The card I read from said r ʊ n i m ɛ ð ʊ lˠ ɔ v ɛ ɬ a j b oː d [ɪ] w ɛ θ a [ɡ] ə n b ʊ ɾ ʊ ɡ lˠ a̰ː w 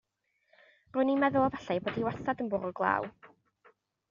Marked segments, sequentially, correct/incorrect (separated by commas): incorrect, incorrect